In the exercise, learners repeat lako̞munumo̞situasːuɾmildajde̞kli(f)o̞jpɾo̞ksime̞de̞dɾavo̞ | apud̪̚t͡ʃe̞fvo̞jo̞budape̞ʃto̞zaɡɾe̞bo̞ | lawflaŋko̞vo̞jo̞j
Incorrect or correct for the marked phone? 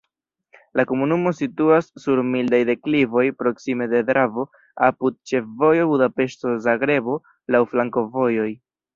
incorrect: v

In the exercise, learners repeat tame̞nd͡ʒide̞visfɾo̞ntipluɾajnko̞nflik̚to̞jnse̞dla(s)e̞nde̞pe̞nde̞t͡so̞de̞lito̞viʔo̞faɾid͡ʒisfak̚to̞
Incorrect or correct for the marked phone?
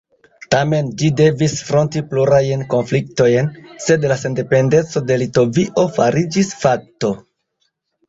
correct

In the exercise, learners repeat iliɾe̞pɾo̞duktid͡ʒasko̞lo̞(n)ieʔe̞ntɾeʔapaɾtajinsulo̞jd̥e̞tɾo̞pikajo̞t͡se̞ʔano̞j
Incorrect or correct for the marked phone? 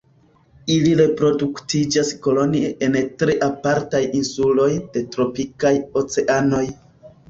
correct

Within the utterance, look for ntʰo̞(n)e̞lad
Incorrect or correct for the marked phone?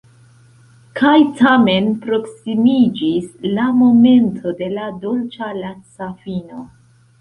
incorrect: d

